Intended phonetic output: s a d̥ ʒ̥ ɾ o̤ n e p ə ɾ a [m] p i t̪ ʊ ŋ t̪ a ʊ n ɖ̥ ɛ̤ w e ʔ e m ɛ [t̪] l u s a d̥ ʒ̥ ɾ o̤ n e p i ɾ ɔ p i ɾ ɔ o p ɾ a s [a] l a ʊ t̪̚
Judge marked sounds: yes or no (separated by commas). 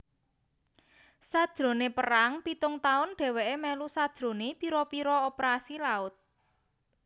no, no, no